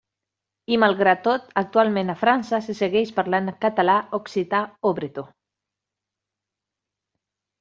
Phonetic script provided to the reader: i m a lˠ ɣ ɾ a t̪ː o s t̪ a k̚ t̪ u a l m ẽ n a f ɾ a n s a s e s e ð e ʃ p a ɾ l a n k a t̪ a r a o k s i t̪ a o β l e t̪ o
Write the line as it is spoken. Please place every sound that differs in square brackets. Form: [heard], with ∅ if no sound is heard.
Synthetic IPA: i m a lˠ ɣ ɾ a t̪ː o [∅] t̪ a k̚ t̪ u a l m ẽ n a f ɾ a n s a s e s e [ɣ] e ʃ p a ɾ l a n k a t̪ a [l] a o k s i t̪ a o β [ɾ] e t̪ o

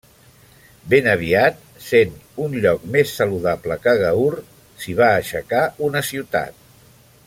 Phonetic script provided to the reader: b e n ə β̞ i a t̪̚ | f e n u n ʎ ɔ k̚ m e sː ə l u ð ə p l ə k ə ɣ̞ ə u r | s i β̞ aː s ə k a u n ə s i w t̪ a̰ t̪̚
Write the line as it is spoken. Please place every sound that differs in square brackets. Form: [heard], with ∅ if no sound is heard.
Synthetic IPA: b e n ə β̞ i a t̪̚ | [s] e n u n ʎ ɔ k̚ m e sː ə l u ð [a] p l ə k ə ɣ̞ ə u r | s i β̞ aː [ʃ] ə k a u n ə s i w t̪ a̰ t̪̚

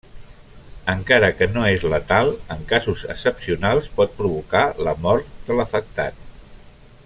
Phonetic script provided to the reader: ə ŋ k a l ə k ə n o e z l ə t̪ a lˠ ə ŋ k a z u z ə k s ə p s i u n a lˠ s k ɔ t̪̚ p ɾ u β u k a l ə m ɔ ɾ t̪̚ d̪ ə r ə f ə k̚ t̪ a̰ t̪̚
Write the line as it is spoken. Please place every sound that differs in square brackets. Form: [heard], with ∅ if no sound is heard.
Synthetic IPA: ə ŋ k a [ɾ] ə k ə n o e z l ə t̪ a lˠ ə ŋ k a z u z ə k s ə p s i u n a lˠ s [p] ɔ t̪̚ p ɾ u β u k a l ə m ɔ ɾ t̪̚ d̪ ə [l] ə f ə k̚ t̪ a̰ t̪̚

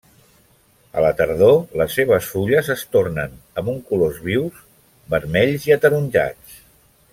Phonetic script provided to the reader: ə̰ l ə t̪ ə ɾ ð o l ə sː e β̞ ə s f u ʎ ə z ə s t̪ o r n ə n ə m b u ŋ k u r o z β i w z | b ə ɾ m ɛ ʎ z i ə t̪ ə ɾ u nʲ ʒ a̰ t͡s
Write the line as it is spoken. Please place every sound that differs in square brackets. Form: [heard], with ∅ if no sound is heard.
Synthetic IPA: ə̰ l ə t̪ ə ɾ ð o l ə sː e β̞ ə s f u ʎ ə z ə s t̪ o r n ə n ə m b u ŋ k u [l] o z β i w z | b ə ɾ m ɛ ʎ z i ə t̪ ə ɾ u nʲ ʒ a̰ t͡s

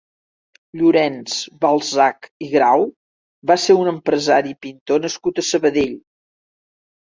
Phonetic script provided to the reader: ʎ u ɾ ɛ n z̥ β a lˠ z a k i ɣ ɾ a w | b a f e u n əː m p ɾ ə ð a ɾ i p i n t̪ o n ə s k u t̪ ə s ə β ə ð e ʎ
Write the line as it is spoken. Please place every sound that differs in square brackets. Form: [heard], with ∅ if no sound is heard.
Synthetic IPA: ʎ u ɾ ɛ n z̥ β a lˠ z a k i ɣ ɾ a w | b a [s] e u n [ə] m p ɾ ə [z] a ɾ i p i n t̪ o n ə s k u t̪ ə s ə β ə ð e ʎ

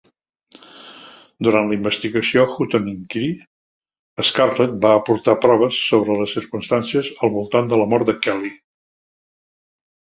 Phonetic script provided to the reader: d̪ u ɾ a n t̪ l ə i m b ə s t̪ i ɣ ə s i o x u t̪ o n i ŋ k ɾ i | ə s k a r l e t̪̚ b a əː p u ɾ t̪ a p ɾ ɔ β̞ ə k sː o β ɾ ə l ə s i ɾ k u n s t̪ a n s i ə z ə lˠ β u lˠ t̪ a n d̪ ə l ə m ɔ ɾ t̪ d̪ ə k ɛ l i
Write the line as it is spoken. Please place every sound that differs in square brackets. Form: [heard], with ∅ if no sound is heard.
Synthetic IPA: d̪ u ɾ a n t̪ l ə i m b ə s t̪ i ɣ ə s i o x u t̪ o n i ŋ k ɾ i | ə s k a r l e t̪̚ b a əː p u ɾ t̪ a p ɾ ɔ β̞ ə [∅] sː o β ɾ ə l ə s i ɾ k u n s t̪ a n s i ə z ə lˠ β u lˠ t̪ a n d̪ ə l ə m ɔ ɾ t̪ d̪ ə k ɛ l i

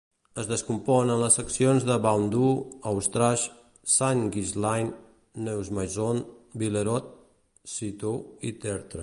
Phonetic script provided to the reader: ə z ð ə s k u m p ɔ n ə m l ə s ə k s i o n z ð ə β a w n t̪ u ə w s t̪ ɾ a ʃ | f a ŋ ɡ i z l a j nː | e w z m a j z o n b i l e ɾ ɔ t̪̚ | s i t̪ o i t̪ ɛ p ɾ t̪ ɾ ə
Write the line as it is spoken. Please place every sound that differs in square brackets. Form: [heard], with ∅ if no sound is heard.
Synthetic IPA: ə z ð ə s k u m p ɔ n ə [n] l ə s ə k s i o n z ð ə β a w n [d̪] u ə w s t̪ ɾ a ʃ | [s] a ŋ ɡ i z l a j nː | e w z m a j z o n b i l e ɾ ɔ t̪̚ | s i t̪ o i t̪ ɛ [∅] ɾ t̪ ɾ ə

